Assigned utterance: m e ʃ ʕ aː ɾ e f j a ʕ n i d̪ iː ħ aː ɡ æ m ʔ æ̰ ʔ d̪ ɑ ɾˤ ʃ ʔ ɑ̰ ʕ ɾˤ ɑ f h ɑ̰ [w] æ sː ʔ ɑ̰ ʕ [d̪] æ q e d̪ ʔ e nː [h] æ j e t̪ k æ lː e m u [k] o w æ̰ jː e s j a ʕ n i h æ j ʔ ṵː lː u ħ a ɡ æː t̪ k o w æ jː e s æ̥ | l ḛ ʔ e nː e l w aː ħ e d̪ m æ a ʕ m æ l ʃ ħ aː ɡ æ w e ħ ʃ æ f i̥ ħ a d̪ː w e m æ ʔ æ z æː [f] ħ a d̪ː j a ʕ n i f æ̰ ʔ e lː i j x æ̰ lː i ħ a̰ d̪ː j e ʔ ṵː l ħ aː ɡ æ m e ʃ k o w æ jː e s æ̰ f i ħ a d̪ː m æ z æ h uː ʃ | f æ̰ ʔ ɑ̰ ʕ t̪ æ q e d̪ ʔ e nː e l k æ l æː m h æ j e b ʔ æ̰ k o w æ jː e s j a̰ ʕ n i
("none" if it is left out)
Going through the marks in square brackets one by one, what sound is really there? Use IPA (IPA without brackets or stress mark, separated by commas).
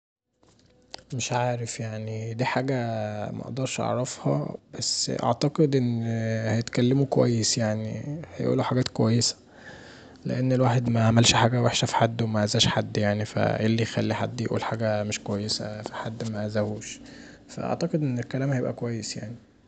b, t̪, h, k, ʃ